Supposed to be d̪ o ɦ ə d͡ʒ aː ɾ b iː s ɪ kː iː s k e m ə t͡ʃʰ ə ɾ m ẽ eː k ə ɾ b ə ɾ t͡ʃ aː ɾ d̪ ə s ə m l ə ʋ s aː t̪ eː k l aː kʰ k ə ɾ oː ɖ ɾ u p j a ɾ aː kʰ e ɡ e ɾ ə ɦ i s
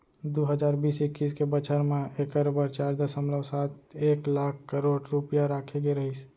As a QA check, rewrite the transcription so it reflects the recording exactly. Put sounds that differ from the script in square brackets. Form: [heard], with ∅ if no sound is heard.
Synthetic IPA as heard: d̪ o ɦ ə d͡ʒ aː ɾ b iː s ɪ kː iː s k e [b] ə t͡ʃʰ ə ɾ m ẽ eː k ə ɾ b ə ɾ t͡ʃ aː ɾ d̪ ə s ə m l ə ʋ s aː t̪ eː k l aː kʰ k ə ɾ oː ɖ ɾ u p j a ɾ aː kʰ e ɡ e ɾ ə ɦ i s